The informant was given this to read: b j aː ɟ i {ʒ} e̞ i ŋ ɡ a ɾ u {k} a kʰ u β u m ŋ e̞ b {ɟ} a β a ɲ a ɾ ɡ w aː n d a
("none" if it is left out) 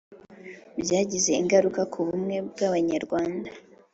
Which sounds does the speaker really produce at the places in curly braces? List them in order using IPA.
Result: z, k, ɡ

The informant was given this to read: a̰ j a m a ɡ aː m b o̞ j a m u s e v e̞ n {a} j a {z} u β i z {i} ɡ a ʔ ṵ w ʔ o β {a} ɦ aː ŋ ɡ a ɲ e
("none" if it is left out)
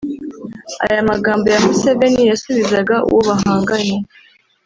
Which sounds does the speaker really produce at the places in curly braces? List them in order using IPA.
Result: i, s, a, a

